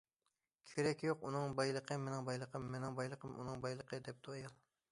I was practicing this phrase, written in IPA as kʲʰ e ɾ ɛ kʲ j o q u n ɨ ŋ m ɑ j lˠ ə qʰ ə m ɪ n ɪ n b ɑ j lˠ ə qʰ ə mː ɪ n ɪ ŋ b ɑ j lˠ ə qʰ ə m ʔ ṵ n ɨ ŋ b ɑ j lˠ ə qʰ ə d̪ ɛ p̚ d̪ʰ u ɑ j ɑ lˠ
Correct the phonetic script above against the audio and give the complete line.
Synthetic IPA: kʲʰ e ɾ ɛ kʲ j o q u n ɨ ŋ b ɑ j lˠ ə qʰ ə m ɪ n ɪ ŋ b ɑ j lˠ ə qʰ ə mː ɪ n ɪ ŋ b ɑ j lˠ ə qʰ ə m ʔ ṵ n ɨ ŋ b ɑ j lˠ ə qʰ ə d̪ ɛ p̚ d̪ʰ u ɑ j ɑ lˠ